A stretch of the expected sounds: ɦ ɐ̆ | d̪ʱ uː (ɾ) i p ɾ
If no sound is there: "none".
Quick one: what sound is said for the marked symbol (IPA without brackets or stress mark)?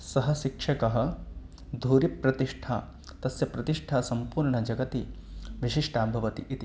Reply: ɾ